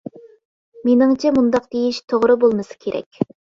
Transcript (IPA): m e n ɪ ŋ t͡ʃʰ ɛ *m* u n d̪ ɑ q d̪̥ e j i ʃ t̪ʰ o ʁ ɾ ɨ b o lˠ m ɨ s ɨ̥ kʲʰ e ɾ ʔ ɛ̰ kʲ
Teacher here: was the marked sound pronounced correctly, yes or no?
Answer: yes